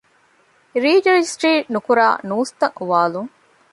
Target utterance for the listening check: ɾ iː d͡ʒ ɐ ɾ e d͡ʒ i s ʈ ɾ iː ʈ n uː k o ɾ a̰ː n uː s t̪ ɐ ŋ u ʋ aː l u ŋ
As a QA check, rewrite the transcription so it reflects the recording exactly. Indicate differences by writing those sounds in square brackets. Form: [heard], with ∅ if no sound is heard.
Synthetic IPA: ɾ iː d͡ʒ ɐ ɾ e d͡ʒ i s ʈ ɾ iː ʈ n [u] k [u] ɾ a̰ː n uː s t̪ ɐ ŋ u ʋ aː l u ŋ